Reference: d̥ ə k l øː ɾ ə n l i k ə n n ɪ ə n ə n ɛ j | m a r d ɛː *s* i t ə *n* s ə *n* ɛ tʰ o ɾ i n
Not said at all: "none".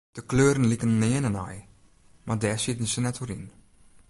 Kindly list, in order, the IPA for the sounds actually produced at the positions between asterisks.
s, n, n

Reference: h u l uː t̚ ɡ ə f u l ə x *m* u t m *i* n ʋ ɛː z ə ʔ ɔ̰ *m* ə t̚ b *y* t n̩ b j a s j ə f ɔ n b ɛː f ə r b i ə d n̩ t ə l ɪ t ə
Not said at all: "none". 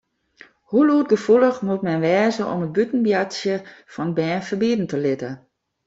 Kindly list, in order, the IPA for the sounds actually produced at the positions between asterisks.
m, ɛ, m, y

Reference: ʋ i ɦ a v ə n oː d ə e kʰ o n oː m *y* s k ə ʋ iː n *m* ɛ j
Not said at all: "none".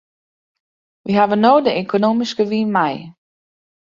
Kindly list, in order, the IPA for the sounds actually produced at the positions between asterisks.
i, m

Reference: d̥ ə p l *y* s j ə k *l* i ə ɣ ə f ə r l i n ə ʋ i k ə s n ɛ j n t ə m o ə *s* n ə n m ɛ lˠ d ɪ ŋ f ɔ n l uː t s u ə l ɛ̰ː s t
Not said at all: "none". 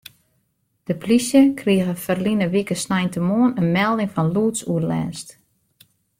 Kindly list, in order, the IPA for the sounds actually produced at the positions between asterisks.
i, r, none

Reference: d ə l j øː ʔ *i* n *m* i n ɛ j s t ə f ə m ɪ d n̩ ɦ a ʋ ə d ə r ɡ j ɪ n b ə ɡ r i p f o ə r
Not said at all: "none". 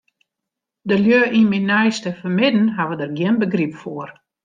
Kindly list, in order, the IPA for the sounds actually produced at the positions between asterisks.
i, m

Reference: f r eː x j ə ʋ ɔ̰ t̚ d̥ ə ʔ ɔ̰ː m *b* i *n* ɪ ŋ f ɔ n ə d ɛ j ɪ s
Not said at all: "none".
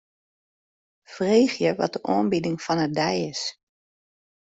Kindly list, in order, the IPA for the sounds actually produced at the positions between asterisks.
b, d

